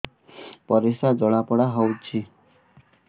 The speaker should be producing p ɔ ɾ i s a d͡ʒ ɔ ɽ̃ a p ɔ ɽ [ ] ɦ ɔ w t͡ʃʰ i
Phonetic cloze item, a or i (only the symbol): a